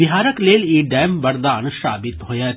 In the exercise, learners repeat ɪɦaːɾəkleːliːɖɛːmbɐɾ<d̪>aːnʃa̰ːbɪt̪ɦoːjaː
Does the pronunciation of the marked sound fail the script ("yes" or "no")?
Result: no